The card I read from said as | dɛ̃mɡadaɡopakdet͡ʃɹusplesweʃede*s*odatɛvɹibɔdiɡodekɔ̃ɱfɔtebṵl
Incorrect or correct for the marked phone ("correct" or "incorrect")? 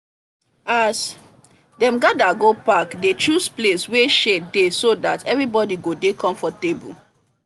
correct